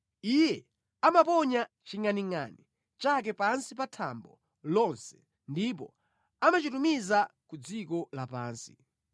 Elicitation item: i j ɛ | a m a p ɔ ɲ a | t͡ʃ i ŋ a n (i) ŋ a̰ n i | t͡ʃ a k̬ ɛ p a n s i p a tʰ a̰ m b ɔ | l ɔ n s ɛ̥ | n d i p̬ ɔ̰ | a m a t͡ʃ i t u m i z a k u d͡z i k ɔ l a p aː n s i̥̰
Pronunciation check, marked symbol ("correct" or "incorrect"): correct